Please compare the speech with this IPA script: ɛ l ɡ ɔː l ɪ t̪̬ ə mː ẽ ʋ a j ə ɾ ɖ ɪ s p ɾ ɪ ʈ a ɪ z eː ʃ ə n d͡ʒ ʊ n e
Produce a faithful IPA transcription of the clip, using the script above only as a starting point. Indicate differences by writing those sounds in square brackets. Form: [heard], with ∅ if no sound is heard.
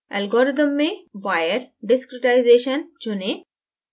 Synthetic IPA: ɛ l ɡ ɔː [ɾ] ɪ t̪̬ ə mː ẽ ʋ a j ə ɾ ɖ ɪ s [k] ɾ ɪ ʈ a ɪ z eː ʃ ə n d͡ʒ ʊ n e